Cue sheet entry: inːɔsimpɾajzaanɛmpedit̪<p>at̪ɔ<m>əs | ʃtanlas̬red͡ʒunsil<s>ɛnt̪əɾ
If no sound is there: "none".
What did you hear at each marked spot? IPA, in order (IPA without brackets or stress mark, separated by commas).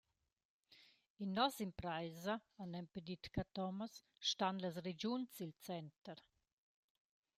k, m, t͡s